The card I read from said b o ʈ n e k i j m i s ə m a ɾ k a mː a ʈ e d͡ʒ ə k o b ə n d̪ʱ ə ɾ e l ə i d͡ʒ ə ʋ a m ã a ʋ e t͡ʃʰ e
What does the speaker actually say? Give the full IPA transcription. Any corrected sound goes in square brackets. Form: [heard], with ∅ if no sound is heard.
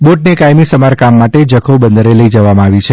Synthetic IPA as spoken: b o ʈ n e k [a] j m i s ə m a ɾ k a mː a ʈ e d͡ʒ ə [kʰ] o b ə n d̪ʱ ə ɾ e l ə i d͡ʒ ə ʋ a m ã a ʋ [i] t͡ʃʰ e

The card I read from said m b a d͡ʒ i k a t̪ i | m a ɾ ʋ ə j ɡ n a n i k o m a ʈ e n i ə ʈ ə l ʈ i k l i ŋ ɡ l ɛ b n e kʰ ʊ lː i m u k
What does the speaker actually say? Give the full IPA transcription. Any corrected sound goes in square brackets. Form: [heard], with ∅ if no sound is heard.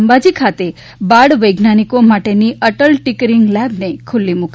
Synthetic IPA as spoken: m b a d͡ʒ i [kʰ] a t̪ [e] | [b] a [ɽ] ʋ ə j ɡ n a n i k o m a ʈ e n i ə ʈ ə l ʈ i k [ɾ] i ŋ ɡ l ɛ b n e kʰ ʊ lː i m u k

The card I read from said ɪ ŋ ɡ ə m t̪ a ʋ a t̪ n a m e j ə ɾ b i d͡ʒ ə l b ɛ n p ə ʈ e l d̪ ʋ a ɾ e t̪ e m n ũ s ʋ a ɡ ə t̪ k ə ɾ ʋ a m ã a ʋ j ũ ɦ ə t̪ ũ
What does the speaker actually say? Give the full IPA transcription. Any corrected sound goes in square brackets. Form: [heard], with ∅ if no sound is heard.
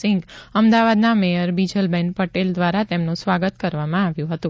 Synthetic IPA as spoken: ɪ ŋ ɡ ə m [d̪] a ʋ a [d̪] n a m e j ə ɾ b i d͡ʒ ə l b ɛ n p ə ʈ e l d̪ ʋ a ɾ [a] t̪ e m n ũ s ʋ a ɡ ə t̪ k ə ɾ ʋ a m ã a ʋ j ũ ɦ ə t̪ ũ

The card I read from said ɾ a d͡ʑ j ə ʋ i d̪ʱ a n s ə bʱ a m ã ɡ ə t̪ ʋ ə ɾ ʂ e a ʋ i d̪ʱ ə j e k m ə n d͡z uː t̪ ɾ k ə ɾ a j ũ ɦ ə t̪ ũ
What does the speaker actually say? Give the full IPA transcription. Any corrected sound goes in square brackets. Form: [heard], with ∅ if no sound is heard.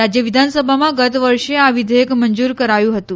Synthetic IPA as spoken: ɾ a d͡ʑ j ə ʋ i d̪ʱ a n s ə bʱ a m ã ɡ ə t̪ ʋ ə ɾ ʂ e a ʋ i d̪ʱ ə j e k m ə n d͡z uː [∅] ɾ k ə ɾ a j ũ ɦ ə t̪ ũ

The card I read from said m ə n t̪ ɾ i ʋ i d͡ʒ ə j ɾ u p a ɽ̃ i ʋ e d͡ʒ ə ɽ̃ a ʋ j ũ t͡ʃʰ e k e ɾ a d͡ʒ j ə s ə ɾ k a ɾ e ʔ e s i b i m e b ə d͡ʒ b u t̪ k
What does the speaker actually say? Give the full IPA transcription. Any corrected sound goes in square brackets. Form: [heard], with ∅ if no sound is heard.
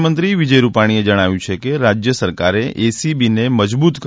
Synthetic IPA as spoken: m ə n t̪ ɾ i ʋ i d͡ʒ ə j ɾ u p a ɽ̃ i [∅] e d͡ʒ ə ɽ̃ a ʋ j ũ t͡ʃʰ e k e ɾ a d͡ʒ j ə s ə ɾ k a ɾ e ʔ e s i b i [n] e [m] ə d͡ʒ b u t̪ k

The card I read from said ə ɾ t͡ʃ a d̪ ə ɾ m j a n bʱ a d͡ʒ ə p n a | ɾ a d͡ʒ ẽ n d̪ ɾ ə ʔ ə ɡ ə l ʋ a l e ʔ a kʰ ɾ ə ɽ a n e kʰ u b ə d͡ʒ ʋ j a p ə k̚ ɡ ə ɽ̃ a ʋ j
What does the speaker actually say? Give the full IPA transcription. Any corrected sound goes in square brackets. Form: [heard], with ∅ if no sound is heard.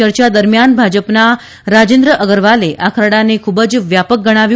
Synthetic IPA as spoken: ə ɾ t͡ʃ a d̪ ə ɾ m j a n bʱ a d͡ʒ ə p n a | ɾ a d͡ʒ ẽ n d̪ ɾ ə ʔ ə ɡ ə [ɾ] ʋ a l e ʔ a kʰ ɾ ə ɽ a n e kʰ u b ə d͡ʒ ʋ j a p ə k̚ ɡ ə ɽ̃ a ʋ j

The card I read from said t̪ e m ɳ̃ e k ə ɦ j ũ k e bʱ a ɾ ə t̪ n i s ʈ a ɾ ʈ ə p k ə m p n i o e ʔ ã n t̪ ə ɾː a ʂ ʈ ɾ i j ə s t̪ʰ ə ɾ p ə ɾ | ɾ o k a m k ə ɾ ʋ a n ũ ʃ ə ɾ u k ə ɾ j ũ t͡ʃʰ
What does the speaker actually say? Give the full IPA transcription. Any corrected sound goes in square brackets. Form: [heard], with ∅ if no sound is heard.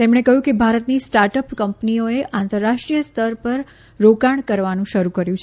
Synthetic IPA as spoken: t̪ e m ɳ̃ e k ə ɦ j ũ k e bʱ a ɾ ə t̪ n i s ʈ a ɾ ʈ ə p k ə m p n i o e ʔ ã n t̪ ə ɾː a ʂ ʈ ɾ i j ə s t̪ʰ ə ɾ p ə ɾ | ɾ o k a [ɳ] k ə ɾ ʋ a n ũ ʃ ə ɾ u k ə ɾ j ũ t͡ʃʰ

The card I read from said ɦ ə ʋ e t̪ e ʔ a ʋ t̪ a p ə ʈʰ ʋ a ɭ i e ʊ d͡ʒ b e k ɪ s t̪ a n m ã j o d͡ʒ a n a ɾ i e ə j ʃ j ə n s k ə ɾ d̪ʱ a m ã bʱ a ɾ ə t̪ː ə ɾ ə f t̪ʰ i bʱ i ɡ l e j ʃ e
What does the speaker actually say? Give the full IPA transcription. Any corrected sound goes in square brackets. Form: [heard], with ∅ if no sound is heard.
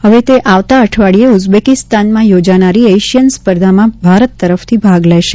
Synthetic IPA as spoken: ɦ ə ʋ e t̪ e ʔ a ʋ t̪ a [∅] ə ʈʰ ʋ a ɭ i e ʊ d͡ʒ b e k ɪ s t̪ a n m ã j o d͡ʒ a n a ɾ i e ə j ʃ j ə n s [p] ə ɾ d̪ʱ a m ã bʱ a ɾ ə t̪ː ə ɾ ə f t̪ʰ i bʱ [a] ɡ l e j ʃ e

